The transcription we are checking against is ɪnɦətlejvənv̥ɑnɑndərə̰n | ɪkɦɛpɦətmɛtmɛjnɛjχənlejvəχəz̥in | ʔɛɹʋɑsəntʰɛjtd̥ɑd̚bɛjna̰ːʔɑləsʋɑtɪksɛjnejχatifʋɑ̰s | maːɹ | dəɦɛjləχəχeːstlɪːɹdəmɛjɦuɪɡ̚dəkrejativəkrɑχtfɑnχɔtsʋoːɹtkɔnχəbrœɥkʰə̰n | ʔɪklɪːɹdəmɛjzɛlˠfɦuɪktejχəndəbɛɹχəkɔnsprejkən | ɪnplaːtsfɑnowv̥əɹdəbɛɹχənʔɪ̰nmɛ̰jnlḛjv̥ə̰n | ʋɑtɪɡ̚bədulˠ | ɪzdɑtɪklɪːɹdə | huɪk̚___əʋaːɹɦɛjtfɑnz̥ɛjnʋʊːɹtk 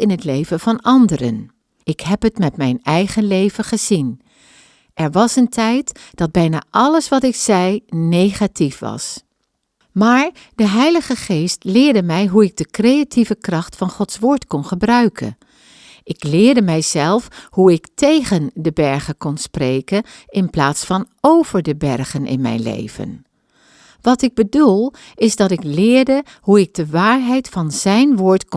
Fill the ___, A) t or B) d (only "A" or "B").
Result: B